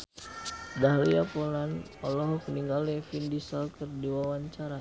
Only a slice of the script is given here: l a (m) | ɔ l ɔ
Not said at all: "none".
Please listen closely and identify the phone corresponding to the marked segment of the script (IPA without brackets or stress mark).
n